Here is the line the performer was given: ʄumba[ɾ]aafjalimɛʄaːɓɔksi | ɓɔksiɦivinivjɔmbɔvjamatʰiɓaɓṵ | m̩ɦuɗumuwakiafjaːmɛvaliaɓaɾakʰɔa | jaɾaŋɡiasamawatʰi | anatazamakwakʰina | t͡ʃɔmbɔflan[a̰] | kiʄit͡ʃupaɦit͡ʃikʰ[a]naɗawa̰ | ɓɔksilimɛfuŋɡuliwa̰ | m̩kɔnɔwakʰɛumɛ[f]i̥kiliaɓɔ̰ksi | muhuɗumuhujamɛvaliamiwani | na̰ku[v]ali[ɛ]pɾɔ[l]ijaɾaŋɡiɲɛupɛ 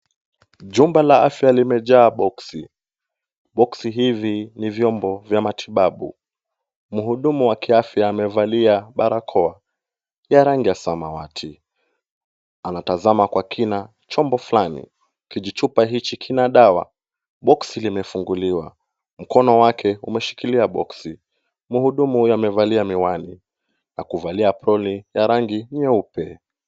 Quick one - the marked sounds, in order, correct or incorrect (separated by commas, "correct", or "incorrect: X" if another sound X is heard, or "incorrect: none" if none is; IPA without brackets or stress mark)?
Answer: incorrect: l, incorrect: ḭ, incorrect: i, incorrect: ʃ, correct, incorrect: a, correct